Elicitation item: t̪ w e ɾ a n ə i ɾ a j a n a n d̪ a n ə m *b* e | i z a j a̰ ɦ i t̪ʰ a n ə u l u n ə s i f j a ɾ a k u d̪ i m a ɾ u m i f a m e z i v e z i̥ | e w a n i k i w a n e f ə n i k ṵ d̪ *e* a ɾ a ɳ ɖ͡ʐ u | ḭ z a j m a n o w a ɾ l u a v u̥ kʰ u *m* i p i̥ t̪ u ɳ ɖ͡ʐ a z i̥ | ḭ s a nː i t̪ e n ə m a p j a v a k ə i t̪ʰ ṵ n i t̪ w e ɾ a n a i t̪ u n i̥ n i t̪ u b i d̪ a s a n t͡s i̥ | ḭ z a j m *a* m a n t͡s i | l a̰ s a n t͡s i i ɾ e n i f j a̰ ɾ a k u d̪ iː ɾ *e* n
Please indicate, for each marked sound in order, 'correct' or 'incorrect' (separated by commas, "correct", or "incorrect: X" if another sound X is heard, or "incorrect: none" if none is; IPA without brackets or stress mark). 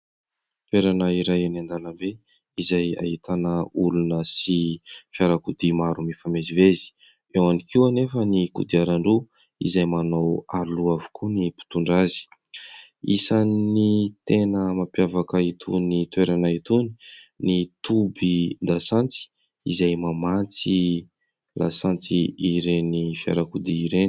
correct, incorrect: i, incorrect: n, correct, correct